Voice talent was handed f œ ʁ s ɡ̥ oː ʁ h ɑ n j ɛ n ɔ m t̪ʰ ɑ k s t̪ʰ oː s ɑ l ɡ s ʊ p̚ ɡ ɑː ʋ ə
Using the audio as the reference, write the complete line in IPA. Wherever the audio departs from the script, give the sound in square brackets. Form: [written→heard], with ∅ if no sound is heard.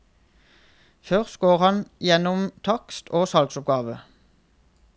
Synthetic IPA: f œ ʁ s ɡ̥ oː ʁ h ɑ n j ɛ n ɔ m t̪ʰ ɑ k s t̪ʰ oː s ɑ l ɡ s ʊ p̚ ɡ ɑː ʋ ə

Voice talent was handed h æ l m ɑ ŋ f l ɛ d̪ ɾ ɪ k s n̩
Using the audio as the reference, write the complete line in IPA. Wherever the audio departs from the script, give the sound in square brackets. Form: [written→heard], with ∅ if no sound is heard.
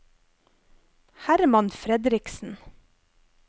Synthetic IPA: h æ [l→ɾ] m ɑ [ŋ→n] f [l→ɾ] ɛ d̪ ɾ ɪ k s n̩

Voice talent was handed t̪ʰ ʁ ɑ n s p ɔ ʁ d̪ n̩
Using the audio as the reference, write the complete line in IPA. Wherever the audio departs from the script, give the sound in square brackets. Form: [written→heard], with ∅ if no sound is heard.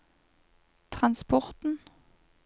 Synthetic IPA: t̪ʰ ʁ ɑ n s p ɔ ʁ [d̪→t̪] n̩

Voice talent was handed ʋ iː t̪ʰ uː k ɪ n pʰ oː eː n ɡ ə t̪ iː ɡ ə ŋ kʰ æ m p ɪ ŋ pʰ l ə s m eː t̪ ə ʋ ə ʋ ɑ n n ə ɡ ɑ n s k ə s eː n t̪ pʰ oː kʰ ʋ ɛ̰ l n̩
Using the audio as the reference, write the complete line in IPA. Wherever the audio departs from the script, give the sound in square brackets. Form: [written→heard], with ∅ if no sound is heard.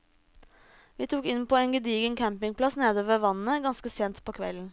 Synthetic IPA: ʋ iː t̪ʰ uː k ɪ n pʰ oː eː n ɡ ə [t̪→d̪] iː ɡ ə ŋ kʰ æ m p ɪ ŋ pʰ l [ə→ɑ] s [m→n] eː [t̪→d̪] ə ʋ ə ʋ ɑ n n ə ɡ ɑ n s k ə s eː n t̪ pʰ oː kʰ ʋ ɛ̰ l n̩

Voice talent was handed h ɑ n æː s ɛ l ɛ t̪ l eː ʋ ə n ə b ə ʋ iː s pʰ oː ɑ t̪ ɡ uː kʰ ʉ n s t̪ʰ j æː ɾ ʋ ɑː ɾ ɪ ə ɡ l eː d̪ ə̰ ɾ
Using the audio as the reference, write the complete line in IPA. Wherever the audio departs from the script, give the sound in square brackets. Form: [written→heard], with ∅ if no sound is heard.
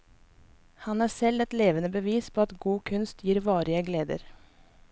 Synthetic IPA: h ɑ n æː s ɛ l ɛ t̪ l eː ʋ ə n ə b ə ʋ iː s pʰ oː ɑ t̪ ɡ uː kʰ ʉ n s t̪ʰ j [æː→iː] ɾ ʋ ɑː ɾ ɪ ə ɡ l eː d̪ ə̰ ɾ

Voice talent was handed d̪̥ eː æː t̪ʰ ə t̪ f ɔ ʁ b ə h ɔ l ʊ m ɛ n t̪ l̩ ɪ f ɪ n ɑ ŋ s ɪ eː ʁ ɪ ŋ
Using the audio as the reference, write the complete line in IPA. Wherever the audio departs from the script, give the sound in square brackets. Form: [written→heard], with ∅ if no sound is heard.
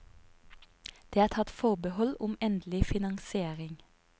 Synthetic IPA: d̪̥ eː æː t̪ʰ [ə→ɑ] t̪ f ɔ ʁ b ə h ɔ l ʊ m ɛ n [t̪→d̪] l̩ ɪ f ɪ n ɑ ŋ s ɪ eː ʁ ɪ ŋ

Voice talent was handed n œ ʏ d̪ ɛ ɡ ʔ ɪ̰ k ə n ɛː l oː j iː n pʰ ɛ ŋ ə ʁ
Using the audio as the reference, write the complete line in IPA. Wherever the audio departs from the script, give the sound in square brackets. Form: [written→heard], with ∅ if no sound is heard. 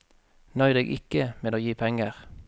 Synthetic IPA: n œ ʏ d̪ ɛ ɡ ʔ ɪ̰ k ə [n→m] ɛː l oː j iː [n→∅] pʰ ɛ ŋ ə ʁ

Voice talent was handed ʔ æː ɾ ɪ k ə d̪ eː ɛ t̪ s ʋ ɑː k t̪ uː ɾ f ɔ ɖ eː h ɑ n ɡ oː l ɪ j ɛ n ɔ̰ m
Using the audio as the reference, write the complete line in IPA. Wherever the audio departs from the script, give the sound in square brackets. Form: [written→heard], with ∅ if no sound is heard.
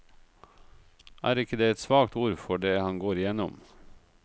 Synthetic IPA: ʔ æː ɾ ɪ k ə d̪ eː ɛ t̪ s ʋ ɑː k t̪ uː ɾ f ɔ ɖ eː h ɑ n ɡ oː [l→ɾ] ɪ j ɛ n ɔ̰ m

